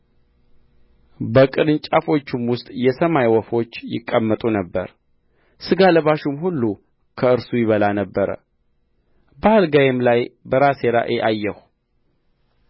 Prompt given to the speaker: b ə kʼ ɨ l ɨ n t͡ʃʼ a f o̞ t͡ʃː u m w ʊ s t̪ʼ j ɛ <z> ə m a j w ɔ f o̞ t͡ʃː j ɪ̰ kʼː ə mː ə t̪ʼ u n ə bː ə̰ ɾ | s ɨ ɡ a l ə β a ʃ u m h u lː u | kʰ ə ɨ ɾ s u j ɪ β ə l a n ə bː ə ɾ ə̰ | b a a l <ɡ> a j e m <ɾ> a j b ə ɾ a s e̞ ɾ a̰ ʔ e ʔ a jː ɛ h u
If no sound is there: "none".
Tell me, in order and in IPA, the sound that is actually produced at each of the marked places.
s, ɡ, l

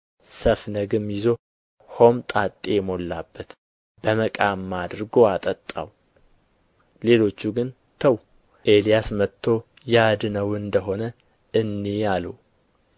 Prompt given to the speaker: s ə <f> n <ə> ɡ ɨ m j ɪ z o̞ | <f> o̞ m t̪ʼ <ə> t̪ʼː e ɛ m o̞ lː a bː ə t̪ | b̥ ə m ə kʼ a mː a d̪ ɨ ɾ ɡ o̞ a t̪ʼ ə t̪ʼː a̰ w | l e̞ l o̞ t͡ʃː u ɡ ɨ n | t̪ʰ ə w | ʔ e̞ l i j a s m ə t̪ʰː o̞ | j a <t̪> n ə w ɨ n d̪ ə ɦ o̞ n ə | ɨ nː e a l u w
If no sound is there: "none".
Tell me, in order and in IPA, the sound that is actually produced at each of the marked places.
f, ə, h, a, d̪

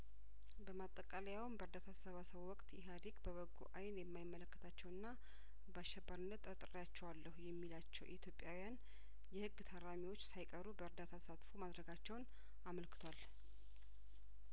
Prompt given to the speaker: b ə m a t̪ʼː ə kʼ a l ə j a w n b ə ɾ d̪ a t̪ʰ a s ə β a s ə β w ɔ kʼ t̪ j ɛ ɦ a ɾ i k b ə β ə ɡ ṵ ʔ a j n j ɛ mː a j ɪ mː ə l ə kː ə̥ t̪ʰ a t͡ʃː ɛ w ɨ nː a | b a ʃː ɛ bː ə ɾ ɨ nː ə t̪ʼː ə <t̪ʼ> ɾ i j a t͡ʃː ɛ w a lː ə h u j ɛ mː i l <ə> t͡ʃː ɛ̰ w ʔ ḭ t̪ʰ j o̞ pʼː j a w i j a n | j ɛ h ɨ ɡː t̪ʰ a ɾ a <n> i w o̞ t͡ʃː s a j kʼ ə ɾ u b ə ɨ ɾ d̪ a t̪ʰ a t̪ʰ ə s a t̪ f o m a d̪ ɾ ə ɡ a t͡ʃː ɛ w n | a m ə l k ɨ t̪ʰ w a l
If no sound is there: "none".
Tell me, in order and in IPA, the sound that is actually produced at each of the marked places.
t̪ʼ, a, m

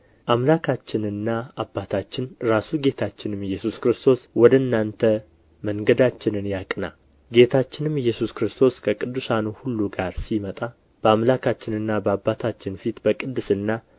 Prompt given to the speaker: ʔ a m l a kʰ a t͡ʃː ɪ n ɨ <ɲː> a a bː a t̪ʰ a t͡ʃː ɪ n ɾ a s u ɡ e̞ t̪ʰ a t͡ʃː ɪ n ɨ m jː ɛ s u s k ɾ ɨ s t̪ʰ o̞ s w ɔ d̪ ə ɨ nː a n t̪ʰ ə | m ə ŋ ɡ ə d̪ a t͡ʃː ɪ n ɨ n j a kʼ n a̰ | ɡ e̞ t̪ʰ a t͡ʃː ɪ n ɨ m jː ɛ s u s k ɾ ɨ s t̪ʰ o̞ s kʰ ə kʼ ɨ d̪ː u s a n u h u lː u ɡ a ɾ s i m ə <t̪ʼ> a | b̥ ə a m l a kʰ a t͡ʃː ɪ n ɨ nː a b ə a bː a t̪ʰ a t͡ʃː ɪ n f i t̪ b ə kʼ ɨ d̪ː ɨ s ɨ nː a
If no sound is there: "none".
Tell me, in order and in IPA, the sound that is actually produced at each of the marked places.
nː, t̪ʼ

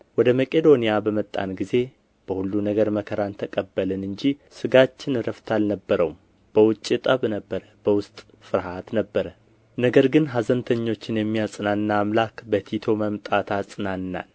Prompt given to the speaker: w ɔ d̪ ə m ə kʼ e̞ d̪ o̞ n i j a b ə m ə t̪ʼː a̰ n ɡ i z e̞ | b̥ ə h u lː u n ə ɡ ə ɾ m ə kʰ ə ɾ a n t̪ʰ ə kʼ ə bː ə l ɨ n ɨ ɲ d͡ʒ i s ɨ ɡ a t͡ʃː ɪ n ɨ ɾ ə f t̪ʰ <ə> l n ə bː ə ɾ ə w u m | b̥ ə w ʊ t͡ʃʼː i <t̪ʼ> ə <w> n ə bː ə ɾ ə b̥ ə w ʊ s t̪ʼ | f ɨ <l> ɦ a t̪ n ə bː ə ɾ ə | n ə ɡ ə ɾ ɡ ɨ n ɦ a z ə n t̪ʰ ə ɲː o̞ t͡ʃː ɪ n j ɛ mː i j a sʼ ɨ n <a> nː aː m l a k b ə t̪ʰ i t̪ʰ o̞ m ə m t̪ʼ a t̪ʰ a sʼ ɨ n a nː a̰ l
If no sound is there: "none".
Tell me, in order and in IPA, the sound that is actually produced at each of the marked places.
a, t̪ʼ, β, ɾ, a

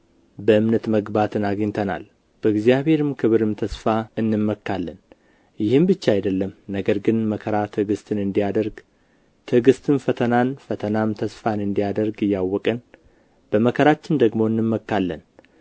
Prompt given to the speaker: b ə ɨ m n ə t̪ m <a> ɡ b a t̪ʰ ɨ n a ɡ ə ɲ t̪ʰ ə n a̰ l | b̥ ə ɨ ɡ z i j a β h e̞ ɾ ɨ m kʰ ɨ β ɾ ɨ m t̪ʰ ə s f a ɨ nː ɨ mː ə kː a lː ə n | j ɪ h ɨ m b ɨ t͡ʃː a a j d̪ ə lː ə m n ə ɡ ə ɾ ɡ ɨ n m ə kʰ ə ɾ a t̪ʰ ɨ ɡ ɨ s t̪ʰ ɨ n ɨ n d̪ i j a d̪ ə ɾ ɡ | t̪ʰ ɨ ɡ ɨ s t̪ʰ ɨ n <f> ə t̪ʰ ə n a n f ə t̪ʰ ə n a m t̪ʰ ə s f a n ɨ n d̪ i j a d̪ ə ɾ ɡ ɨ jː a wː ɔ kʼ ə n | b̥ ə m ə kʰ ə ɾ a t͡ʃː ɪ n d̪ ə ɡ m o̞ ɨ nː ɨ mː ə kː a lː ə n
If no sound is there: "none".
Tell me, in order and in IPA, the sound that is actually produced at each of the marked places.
ə, f

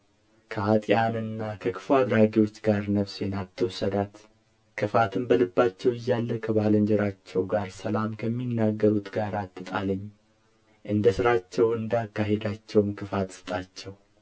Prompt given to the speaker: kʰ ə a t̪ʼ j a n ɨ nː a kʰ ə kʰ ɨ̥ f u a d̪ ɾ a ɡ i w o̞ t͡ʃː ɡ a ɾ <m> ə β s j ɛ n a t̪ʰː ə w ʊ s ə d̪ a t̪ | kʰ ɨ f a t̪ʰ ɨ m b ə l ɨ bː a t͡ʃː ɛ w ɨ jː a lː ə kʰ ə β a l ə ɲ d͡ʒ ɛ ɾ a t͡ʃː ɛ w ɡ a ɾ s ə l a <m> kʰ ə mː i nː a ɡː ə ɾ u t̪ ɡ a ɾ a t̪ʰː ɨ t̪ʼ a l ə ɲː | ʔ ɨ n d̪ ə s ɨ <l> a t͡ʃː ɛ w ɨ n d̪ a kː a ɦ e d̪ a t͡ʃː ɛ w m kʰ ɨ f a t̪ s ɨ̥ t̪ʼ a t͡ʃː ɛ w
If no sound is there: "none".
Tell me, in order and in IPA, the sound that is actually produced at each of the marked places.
n, m, ɾ

